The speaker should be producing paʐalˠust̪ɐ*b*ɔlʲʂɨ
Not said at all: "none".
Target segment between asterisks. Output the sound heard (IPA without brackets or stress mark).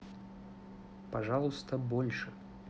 b